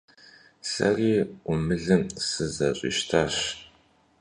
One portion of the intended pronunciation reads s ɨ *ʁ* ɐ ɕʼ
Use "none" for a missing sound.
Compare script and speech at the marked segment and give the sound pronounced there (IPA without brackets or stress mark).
z